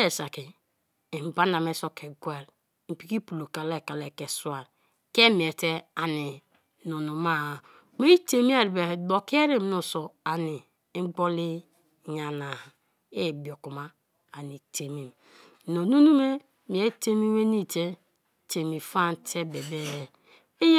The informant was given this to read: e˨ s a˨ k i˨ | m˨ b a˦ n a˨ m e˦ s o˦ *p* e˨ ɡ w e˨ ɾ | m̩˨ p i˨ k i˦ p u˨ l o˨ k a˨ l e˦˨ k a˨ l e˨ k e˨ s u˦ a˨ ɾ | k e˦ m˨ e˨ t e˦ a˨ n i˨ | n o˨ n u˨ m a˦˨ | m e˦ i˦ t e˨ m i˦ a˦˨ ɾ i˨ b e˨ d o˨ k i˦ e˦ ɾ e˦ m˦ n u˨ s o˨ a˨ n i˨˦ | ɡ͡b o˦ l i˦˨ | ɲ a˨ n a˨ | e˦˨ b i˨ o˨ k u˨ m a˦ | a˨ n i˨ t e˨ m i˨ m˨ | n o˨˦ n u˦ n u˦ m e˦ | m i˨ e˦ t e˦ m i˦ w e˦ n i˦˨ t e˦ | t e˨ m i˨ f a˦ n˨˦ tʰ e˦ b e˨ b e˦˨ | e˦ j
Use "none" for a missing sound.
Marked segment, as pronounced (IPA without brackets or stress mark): k